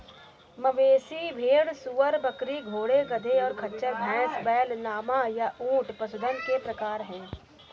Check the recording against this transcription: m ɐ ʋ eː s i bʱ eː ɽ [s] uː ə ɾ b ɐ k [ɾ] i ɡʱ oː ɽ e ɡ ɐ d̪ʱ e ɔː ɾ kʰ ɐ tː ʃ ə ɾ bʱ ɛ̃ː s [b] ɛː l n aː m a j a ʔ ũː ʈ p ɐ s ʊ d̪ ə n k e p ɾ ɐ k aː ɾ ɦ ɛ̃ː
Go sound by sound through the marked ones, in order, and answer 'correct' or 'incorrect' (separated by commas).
correct, correct, correct